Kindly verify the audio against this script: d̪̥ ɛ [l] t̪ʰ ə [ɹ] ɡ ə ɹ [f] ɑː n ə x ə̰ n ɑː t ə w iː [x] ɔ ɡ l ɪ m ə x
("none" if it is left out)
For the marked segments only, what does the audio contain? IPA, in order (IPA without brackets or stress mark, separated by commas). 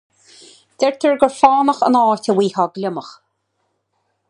ɹ, ɹ, f, h